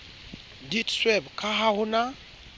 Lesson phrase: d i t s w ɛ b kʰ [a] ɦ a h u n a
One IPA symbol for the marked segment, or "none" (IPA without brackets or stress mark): a